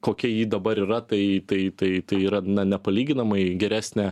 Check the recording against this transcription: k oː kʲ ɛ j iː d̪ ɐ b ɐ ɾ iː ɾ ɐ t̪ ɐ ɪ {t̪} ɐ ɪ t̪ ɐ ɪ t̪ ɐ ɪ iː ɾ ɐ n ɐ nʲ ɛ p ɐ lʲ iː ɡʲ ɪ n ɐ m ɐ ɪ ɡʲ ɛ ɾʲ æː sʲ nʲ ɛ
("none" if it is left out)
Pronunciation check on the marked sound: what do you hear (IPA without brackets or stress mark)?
t̪